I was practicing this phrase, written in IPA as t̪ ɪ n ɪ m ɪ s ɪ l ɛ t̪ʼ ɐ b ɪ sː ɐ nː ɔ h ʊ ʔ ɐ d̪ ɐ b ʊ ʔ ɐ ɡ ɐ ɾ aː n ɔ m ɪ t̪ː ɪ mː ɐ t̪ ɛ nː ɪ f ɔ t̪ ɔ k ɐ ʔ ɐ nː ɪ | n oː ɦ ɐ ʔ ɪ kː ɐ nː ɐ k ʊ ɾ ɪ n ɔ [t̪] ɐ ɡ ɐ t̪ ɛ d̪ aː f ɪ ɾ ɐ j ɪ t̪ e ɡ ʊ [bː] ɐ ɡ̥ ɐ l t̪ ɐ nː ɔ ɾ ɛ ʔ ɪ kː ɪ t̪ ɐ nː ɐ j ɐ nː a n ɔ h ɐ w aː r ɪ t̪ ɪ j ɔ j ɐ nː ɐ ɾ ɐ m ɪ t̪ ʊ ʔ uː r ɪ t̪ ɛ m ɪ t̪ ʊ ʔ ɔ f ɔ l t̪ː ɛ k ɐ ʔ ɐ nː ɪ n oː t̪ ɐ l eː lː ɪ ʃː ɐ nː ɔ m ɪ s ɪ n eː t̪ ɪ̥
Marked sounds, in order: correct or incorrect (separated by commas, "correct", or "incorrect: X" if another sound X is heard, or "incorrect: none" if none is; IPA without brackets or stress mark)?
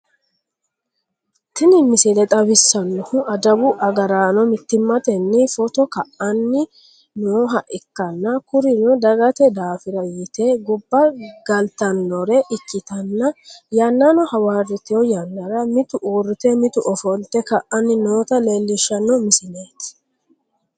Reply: incorrect: d̪, correct